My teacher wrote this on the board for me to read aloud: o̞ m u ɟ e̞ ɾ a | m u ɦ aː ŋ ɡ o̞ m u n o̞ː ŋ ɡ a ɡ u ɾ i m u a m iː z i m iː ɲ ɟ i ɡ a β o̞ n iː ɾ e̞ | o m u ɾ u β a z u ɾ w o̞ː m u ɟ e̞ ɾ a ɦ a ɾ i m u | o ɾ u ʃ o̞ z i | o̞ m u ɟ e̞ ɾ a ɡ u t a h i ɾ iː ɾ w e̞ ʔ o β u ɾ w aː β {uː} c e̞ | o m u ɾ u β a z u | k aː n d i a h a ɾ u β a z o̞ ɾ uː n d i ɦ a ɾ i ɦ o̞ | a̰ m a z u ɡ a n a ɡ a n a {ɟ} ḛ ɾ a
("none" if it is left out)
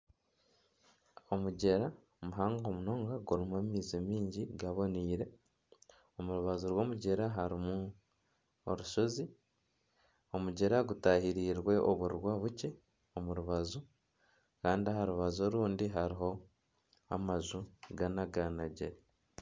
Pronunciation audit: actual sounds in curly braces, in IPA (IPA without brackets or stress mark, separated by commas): u, ɟ